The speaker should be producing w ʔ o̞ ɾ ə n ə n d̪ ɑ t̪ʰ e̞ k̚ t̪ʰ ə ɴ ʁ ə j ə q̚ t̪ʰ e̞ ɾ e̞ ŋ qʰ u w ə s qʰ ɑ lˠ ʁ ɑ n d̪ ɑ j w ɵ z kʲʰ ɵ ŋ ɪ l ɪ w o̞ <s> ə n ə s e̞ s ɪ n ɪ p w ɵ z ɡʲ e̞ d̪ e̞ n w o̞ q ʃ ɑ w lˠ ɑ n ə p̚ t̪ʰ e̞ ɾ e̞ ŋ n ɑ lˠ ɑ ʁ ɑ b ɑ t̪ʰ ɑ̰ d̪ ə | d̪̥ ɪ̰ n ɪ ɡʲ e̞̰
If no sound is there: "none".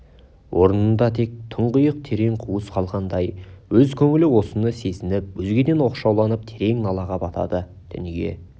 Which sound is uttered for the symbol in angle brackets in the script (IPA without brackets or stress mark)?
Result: s